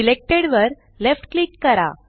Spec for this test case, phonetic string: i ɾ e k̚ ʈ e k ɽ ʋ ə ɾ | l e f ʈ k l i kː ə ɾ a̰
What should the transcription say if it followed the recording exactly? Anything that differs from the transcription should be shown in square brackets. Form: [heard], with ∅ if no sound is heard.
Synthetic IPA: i [l] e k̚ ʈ e [∅] ɽ ʋ ə ɾ | l e f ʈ k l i kː ə ɾ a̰